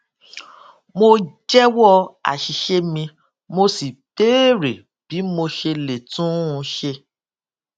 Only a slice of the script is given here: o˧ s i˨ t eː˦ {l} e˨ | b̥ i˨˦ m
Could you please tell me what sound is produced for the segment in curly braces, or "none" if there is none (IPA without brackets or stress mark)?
ɾ